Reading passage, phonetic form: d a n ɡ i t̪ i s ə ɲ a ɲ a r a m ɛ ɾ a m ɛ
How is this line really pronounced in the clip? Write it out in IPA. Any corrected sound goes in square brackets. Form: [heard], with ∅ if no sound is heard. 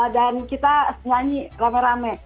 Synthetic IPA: d a n [k] i t̪ [a] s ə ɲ a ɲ [i] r a m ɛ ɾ a m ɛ

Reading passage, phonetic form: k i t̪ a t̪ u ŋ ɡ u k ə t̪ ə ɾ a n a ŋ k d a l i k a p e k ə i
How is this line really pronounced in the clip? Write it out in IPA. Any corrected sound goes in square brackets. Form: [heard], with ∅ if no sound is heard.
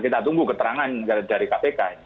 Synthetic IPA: k i t̪ a t̪ u ŋ ɡ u k ə t̪ ə ɾ a [ŋ] a [n] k d a [ɾ] i k a p e k [a] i

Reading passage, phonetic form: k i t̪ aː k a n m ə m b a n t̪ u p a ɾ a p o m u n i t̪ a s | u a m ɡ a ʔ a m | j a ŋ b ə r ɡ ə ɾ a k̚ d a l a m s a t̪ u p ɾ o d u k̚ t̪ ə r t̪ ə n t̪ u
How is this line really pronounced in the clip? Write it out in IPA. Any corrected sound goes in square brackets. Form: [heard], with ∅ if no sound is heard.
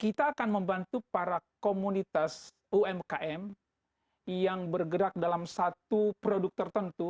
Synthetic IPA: k i t̪ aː k a n m ə m b a n t̪ u p a ɾ a [k] o m u n i t̪ a s | u [ɛ] m [k] a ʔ [ɛ] m | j a ŋ b ə r ɡ ə ɾ a k̚ d a l a m s a t̪ u p ɾ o d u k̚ t̪ ə r t̪ ə n t̪ u

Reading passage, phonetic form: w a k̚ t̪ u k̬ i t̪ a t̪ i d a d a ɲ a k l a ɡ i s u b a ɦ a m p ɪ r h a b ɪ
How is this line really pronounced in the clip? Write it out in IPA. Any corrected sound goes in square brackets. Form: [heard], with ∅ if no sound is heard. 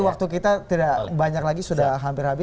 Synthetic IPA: w a k̚ t̪ u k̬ i t̪ a t̪ i d a [b] a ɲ a k l a ɡ i s u [d] a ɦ a m p ɪ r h a b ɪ

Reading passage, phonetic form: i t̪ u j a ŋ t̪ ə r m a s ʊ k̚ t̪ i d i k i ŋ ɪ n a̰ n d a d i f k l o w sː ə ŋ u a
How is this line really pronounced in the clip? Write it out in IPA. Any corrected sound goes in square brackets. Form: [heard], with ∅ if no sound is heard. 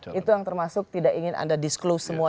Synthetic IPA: i t̪ u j a ŋ t̪ ə r m a s ʊ k̚ t̪ i d [a] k i ŋ ɪ n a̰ n d a d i [s] k l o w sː ə [m] u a

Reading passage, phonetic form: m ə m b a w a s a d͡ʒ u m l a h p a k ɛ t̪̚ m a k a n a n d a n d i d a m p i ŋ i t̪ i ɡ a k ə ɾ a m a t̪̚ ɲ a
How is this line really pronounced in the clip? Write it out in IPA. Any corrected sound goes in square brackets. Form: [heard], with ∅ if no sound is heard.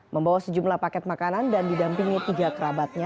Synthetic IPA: m ə m b a w a s [ə] d͡ʒ u m l a h p a k ɛ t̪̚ m a k a n a n d a n d i d a m p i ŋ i t̪ i ɡ a k ə ɾ a [b] a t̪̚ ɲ a

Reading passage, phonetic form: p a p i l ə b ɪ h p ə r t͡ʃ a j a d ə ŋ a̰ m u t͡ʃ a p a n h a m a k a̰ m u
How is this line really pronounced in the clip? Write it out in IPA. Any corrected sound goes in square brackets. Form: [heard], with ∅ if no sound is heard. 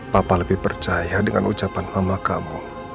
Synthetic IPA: p a p [a] l ə b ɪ h p ə r t͡ʃ a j a d ə ŋ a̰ [n] u t͡ʃ a p a n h a m a k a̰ m u

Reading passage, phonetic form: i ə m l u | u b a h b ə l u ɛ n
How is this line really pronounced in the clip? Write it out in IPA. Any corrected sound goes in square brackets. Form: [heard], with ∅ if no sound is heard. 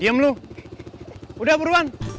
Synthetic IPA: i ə m l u | u [d] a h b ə [ɾ] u [a] n

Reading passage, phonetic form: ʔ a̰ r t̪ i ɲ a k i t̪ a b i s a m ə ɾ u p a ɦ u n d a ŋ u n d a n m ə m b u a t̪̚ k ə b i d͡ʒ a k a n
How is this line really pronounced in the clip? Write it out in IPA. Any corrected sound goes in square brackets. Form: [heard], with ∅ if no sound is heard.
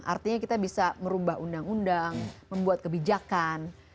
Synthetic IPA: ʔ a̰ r t̪ i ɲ a k i t̪ a b i s a m ə ɾ u [b] a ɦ u n d a ŋ u n d a [ŋ] m ə m b u a t̪̚ k ə b i d͡ʒ a k a n

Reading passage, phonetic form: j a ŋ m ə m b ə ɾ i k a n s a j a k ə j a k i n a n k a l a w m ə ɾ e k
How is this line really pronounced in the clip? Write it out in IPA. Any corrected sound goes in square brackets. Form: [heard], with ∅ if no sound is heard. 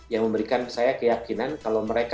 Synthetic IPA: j a ŋ m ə m b ə ɾ i k a n s a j a k ə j a k i n a n k a l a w m ə ɾ e k

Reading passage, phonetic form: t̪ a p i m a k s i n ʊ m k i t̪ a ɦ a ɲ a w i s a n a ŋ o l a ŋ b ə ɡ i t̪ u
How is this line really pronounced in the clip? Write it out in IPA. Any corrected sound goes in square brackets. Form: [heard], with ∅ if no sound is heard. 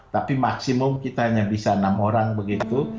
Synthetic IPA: t̪ a p i m a k s i [m] ʊ m k i t̪ a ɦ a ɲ a [b] i s a n a [m] o [ɾ] a ŋ b ə ɡ i t̪ u

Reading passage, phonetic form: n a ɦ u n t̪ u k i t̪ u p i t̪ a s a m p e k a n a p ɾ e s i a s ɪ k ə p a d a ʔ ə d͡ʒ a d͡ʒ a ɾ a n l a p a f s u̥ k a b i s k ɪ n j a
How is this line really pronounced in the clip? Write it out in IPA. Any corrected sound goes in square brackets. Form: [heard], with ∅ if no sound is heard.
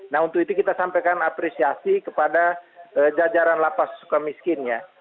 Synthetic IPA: n a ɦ u n t̪ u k i t̪ u [k] i t̪ a s a m p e k a n a p ɾ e s i a s [i] k ə p a d a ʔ ə d͡ʒ a d͡ʒ a ɾ a n l a p a [s] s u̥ k a [m] i s k ɪ n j a

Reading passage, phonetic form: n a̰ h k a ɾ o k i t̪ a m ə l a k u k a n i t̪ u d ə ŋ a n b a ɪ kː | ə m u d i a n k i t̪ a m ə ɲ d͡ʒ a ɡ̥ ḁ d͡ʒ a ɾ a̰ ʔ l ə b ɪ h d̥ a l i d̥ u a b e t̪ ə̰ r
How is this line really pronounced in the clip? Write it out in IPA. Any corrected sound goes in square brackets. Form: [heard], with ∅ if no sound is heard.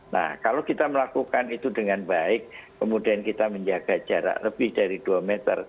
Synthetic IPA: n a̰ h k a [l] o k i t̪ a m ə l a k u k a n i t̪ u d ə ŋ a n b a ɪ kː | ə m u d i a n k i t̪ a m ə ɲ d͡ʒ a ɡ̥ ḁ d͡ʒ a ɾ a̰ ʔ l ə b ɪ h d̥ a [ɾ] i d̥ u a [m] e t̪ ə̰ r

